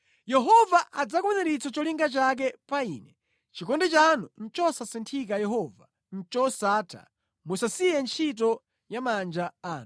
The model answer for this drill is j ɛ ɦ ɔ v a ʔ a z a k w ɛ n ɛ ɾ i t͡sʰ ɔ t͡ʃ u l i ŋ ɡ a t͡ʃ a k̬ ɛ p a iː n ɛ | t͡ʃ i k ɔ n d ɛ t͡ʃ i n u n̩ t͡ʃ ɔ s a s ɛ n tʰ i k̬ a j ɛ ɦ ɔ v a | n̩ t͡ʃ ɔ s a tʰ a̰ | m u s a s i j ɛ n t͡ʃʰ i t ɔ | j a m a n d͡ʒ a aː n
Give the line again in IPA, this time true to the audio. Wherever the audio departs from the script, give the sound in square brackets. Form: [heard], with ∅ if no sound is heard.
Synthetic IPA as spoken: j ɛ ɦ ɔ v a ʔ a [d͡z] a k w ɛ n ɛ ɾ i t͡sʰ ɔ t͡ʃ [ɔ] l i ŋ ɡ a t͡ʃ a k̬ ɛ p a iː n ɛ | t͡ʃ i k ɔ n d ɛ t͡ʃ [a] n u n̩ t͡ʃ ɔ s a s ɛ n tʰ i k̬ a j ɛ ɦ ɔ v a | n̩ t͡ʃ ɔ s a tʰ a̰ | m u s a s i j ɛ n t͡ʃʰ i t ɔ | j a m a n d͡ʒ a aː n

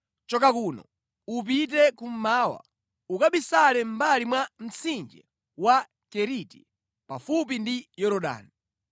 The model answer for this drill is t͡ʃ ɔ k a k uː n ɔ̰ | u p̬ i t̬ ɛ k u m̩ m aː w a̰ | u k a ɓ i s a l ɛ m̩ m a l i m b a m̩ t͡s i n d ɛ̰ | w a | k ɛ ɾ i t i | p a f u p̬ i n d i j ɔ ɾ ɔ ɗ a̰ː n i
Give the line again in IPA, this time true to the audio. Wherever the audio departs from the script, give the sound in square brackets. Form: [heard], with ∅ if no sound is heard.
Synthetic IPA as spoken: t͡ʃ ɔ k a k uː n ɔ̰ | u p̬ i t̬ ɛ k u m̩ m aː w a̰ | u k a ɓ i s a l ɛ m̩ [b] a l i m [w] a m̩ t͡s i n [d͡ʒ] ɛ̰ | w a | k ɛ ɾ i t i | p a f u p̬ i n d i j ɔ ɾ ɔ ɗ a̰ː n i

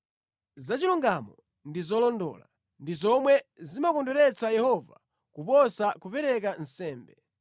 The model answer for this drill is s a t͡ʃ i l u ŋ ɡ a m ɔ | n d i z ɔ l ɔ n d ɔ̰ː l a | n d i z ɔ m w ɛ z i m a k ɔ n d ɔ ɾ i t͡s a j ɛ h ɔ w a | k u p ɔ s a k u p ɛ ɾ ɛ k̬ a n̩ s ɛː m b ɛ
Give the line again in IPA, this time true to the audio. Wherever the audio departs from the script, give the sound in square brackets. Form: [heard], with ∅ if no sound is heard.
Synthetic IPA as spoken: [z] a t͡ʃ i l u ŋ ɡ a m ɔ | n d i z ɔ l ɔ n d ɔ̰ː l a | n d i z ɔ m w ɛ z i m a k ɔ n d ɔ ɾ [ɛ] t͡s a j ɛ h ɔ [v] a | k u p ɔ s a k u p ɛ ɾ ɛ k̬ a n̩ s ɛː m b ɛ

